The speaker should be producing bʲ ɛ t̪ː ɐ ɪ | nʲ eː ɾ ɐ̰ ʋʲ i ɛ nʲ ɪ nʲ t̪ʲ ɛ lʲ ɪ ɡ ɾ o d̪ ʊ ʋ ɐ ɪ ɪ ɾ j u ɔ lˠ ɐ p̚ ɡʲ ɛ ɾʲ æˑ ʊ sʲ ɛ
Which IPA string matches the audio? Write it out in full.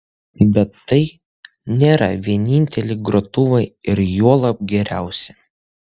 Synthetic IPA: bʲ ɛ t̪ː ɐ ɪ | nʲ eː ɾ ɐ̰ ʋʲ i ɛ nʲ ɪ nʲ t̪ʲ ɛ lʲ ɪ ɡ ɾ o t̪ ʊ ʋ ɐ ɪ ɪ ɾ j u ɔ lˠ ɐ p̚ ɡʲ ɛ ɾʲ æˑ ʊ sʲ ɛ